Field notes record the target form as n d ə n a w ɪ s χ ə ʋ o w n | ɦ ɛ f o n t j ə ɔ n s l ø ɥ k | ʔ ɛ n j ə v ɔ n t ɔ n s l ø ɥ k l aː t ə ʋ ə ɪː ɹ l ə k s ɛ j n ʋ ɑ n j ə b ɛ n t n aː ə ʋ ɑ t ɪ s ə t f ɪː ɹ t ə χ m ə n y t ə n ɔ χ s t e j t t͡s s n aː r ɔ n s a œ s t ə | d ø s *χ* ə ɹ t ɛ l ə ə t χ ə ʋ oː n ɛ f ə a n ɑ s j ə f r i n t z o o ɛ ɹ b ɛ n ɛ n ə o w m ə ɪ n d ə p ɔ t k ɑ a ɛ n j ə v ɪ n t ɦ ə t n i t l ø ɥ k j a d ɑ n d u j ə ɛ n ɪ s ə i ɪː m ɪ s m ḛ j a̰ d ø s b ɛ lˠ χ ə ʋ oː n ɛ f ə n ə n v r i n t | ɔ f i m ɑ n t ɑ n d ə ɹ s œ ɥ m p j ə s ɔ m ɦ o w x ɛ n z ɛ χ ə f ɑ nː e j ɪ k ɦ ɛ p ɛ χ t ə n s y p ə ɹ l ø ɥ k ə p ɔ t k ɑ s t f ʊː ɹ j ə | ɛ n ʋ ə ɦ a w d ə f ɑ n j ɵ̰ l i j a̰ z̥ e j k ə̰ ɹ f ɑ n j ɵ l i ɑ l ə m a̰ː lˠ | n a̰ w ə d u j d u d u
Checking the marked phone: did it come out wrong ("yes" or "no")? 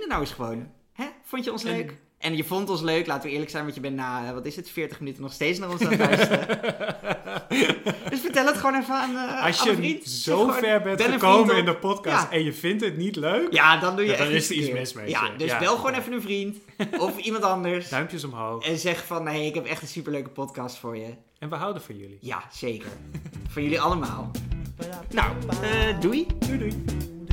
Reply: yes